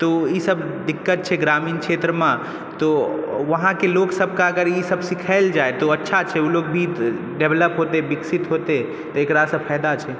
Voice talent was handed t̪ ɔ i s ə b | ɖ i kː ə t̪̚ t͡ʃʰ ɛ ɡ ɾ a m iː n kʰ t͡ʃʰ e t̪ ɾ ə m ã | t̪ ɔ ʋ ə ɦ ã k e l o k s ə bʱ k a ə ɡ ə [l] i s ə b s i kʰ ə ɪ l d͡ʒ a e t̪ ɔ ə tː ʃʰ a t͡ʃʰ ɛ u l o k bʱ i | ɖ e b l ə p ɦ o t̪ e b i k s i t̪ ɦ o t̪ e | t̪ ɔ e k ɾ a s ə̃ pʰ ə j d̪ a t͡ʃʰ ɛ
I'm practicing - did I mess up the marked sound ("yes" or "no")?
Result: yes